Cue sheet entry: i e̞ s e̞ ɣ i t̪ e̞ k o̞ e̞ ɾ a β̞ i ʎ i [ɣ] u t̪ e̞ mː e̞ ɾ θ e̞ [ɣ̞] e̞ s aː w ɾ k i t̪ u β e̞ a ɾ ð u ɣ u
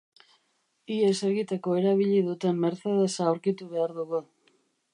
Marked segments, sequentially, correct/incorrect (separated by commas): incorrect, incorrect